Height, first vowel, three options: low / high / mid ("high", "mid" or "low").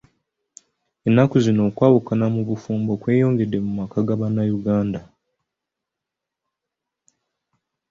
mid